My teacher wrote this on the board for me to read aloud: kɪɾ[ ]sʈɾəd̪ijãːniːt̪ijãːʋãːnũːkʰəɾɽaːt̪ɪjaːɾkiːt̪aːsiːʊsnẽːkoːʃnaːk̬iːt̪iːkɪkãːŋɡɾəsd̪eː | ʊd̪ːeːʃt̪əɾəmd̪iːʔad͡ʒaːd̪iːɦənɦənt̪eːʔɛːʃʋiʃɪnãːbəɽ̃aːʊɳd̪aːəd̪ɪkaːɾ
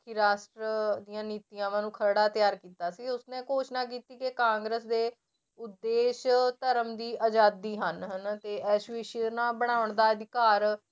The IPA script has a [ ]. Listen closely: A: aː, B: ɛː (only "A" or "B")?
A